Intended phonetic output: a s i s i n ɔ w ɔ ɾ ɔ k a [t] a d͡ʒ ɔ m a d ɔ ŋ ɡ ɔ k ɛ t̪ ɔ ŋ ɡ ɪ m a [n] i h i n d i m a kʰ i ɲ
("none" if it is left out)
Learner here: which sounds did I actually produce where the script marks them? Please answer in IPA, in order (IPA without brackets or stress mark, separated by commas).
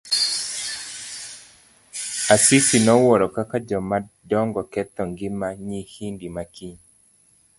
k, ɲ